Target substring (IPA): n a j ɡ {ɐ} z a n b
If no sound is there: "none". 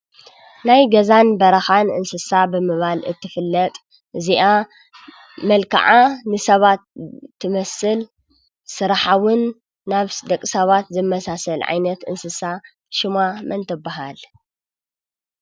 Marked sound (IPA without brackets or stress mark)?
ɐ